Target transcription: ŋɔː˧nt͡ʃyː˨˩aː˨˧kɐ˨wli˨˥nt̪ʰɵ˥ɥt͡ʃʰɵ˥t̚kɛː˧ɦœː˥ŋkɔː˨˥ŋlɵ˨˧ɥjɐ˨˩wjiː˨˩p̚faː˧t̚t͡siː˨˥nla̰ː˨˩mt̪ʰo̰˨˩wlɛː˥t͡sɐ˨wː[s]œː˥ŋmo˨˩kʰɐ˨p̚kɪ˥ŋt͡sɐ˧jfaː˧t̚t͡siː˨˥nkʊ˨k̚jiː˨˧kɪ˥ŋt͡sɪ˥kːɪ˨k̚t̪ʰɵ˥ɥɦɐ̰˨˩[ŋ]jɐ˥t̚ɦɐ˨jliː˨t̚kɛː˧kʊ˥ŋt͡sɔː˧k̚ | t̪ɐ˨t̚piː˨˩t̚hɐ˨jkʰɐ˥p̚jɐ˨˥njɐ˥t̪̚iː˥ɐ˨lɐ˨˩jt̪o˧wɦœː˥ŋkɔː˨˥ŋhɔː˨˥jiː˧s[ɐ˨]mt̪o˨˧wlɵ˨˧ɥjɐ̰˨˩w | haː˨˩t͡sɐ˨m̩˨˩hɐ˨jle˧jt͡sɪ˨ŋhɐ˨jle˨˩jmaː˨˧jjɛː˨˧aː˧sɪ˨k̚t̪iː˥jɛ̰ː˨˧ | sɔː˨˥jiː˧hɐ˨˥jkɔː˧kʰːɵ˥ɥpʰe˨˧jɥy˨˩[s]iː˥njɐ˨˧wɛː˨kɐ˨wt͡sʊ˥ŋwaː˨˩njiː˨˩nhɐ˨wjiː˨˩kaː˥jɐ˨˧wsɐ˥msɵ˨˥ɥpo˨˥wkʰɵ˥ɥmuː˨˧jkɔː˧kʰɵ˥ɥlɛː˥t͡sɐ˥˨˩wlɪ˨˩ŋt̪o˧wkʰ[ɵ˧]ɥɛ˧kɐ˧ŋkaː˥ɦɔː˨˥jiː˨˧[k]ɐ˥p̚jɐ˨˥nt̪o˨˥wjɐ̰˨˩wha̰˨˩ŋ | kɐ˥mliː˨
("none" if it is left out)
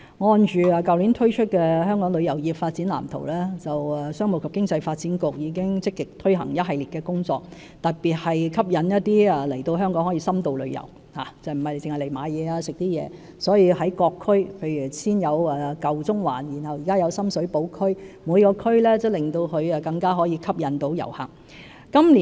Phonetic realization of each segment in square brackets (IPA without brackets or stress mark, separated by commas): s, ŋ, ɐ˥, s, ɵ˧, kʰ